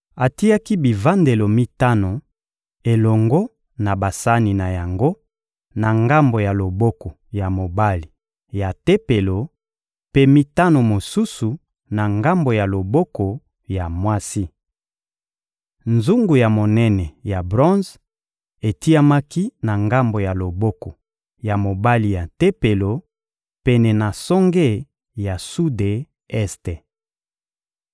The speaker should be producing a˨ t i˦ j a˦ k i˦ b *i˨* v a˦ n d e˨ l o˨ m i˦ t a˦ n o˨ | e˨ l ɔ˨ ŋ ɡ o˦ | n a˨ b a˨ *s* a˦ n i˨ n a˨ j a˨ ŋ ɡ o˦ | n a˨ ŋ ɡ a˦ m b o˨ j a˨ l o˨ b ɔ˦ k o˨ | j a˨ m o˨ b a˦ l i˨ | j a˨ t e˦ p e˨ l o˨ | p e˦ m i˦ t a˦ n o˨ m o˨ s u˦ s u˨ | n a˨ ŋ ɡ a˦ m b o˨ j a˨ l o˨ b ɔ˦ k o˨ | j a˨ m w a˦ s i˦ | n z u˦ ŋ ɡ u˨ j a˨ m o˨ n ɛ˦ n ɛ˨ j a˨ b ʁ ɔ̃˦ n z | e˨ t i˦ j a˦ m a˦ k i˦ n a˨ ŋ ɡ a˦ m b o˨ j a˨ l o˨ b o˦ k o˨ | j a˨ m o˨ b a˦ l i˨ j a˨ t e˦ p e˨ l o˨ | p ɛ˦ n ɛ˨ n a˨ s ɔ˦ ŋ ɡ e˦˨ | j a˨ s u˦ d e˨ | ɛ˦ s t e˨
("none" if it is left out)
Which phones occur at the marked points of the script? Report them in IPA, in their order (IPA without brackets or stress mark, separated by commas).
i˨, s